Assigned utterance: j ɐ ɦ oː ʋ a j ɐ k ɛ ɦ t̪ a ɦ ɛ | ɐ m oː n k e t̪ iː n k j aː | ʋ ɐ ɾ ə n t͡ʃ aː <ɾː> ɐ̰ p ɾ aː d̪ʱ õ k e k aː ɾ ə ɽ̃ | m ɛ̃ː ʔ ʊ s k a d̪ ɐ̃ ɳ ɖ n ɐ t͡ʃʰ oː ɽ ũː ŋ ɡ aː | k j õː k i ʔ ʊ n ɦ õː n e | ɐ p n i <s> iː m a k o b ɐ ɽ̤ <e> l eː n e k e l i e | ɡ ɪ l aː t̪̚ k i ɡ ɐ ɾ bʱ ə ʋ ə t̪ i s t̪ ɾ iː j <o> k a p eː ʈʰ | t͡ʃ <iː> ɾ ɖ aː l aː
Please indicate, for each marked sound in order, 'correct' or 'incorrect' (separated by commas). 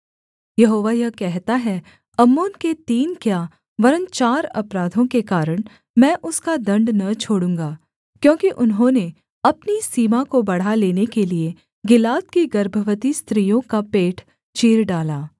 incorrect, correct, incorrect, incorrect, correct